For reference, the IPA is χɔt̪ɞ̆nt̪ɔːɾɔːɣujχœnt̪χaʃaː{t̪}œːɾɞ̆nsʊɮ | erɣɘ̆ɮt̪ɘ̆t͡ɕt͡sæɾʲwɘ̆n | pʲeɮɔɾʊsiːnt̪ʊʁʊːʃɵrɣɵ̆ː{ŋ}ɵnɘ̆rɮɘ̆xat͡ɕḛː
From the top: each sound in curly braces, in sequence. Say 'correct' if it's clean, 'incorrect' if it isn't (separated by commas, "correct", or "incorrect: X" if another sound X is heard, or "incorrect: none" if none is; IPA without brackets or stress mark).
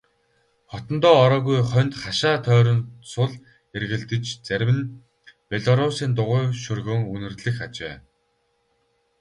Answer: incorrect: t̪ʰ, correct